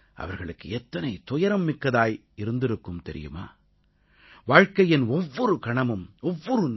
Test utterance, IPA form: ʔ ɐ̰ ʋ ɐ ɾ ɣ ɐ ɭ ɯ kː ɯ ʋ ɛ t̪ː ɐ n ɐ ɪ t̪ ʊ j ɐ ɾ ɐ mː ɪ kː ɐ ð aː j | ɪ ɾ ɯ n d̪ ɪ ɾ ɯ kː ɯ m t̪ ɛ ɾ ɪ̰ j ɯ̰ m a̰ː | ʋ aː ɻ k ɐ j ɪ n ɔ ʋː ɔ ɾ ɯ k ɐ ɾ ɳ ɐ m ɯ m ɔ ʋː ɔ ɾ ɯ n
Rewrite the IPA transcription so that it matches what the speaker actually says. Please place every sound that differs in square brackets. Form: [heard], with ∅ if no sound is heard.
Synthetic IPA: ʔ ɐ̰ ʋ ɐ ɾ ɣ ɐ ɭ ɯ kː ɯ [∅] ɛ t̪ː ɐ n ɐ ɪ t̪ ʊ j ɐ ɾ ɐ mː ɪ kː ɐ ð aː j | ɪ ɾ ɯ n d̪ ɪ ɾ ɯ kː ɯ m t̪ ɛ ɾ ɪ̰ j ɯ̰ m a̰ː | ʋ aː ɻ k ɐ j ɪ n ɔ ʋː ɔ ɾ ɯ k ɐ [∅] ɳ ɐ m ɯ m ɔ ʋː ɔ ɾ ɯ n